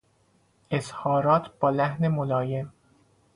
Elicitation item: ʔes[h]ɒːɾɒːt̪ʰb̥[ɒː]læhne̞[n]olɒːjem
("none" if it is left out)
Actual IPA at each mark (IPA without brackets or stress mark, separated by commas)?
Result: h, ɒː, m